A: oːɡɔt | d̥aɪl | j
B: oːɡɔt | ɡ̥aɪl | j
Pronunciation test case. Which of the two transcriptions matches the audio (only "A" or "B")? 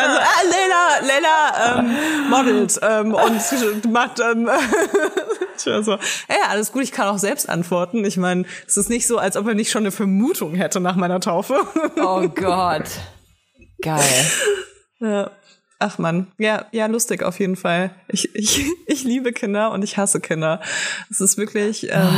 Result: B